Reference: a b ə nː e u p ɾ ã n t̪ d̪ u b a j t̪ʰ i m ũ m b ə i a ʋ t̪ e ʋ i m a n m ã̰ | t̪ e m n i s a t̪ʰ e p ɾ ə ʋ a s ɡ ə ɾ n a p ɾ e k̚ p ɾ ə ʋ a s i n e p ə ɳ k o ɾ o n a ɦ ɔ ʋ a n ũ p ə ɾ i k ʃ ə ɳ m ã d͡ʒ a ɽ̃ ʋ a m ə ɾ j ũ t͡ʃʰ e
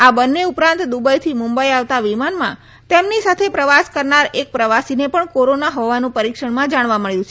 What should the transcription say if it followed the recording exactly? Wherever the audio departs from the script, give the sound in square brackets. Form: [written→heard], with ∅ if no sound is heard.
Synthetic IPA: a b ə nː e u p ɾ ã n t̪ d̪ u b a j t̪ʰ i m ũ m b ə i a ʋ t̪ [e→a] ʋ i m a n m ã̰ | t̪ e m n i s a t̪ʰ e p ɾ ə ʋ a s [ɡ→k] ə ɾ n a [p→∅] ɾ e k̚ p ɾ ə ʋ a s i n e p ə ɳ k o ɾ o n a ɦ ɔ ʋ a n ũ p ə ɾ i k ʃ ə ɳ m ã d͡ʒ a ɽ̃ ʋ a m ə [ɾ→ɭ] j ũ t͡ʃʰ e

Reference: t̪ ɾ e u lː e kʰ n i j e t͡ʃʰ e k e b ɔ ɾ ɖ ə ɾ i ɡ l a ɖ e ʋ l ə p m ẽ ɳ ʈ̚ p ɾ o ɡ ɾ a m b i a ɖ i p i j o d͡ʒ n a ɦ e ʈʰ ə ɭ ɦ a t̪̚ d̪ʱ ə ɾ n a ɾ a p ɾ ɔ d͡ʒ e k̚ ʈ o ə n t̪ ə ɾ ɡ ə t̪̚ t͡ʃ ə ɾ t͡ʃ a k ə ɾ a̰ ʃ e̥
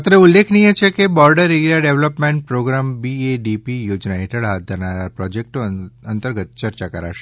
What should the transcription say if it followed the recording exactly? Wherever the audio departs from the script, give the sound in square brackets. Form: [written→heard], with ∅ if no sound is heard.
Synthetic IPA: t̪ ɾ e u lː e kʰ n i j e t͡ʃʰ e k e b ɔ ɾ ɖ ə ɾ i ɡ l a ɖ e ʋ l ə p m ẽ ɳ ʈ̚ p ɾ o ɡ ɾ a m b i [a→e] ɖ i p i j o d͡ʒ n a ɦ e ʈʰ ə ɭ ɦ a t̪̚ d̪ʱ ə ɾ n a ɾ a p ɾ ɔ d͡ʒ e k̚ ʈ o ə n t̪ ə ɾ ɡ ə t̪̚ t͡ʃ ə ɾ t͡ʃ a k ə ɾ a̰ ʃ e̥

